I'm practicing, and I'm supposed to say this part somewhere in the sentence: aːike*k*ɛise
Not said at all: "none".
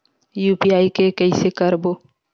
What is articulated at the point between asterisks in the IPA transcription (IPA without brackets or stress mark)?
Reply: k